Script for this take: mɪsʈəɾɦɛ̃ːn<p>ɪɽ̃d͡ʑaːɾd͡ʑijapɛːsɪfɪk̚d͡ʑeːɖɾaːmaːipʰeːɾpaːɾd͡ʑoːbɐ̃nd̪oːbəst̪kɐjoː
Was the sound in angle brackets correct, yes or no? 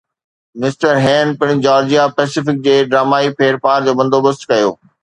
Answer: yes